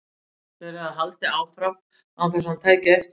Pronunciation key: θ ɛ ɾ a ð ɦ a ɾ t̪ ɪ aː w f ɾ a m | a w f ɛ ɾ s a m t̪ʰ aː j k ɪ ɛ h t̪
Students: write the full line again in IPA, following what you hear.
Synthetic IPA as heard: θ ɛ ɾ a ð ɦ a l t̪ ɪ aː w f ɾ a m | a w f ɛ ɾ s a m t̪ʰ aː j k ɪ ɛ f t̪